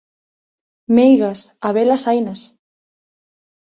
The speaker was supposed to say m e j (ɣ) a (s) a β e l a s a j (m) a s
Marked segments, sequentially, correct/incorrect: correct, correct, incorrect: n

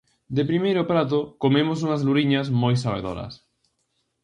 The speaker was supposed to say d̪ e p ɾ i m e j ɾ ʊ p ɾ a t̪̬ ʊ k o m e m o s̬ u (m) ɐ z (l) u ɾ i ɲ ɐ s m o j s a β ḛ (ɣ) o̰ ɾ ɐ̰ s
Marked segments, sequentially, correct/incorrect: incorrect: ŋ, correct, incorrect: ð

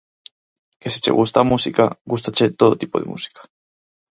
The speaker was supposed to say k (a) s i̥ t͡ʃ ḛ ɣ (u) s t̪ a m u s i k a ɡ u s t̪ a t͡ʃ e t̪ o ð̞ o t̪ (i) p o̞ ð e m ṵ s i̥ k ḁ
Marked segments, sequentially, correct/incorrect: incorrect: e, correct, correct

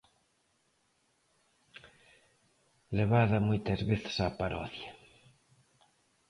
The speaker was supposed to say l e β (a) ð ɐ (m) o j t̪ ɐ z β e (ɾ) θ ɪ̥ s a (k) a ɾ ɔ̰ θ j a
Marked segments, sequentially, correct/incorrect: correct, correct, incorrect: none, incorrect: p

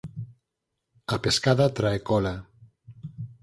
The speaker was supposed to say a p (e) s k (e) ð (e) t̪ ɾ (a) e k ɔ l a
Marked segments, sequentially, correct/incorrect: correct, incorrect: a, incorrect: a, correct

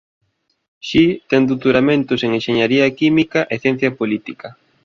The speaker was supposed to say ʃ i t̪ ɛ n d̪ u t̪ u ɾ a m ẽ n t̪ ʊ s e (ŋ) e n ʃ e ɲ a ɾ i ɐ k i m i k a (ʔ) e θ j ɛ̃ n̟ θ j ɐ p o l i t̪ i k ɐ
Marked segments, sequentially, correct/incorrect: correct, correct

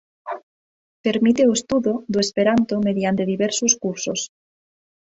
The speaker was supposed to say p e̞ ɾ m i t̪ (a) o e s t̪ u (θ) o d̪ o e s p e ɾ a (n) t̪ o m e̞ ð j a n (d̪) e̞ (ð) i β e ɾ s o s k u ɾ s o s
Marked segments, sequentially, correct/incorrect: incorrect: e, incorrect: ð, correct, incorrect: t̪, correct

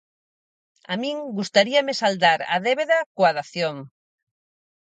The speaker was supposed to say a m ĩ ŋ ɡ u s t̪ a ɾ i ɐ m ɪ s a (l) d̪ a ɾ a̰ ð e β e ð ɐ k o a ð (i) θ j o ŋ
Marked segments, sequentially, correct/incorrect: correct, incorrect: a

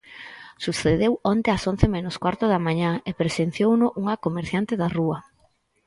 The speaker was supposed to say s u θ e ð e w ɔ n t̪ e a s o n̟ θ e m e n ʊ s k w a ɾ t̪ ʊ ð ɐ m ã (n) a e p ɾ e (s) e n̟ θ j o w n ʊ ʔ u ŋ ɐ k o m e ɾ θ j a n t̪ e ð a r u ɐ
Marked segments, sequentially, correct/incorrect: incorrect: ɲ, correct

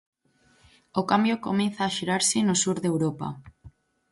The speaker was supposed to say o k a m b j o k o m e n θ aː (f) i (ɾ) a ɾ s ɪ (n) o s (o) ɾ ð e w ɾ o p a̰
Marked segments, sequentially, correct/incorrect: incorrect: ʃ, correct, correct, incorrect: u

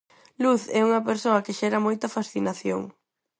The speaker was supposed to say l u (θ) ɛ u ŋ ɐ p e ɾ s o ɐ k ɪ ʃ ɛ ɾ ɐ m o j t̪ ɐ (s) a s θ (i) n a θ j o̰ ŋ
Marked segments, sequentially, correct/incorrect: correct, incorrect: f, correct

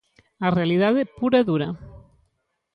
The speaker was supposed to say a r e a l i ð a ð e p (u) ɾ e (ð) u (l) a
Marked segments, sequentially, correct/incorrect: correct, correct, incorrect: ɾ

